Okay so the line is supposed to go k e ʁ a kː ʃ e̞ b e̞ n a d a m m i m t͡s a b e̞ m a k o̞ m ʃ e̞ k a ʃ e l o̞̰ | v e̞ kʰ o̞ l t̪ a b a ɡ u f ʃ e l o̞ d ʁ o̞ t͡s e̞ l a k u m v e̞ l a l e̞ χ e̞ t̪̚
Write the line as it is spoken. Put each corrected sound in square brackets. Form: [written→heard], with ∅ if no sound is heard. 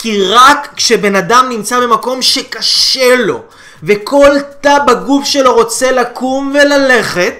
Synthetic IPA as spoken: k [e→i] ʁ a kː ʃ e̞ b e̞ n a d a m [m→n] i m t͡s a b e̞ m a k o̞ m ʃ e̞ k a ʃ e l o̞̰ | v e̞ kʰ o̞ l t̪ a b a ɡ u f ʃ e l o̞ [d→∅] ʁ o̞ t͡s e̞ l a k u m v e̞ l a l e̞ χ e̞ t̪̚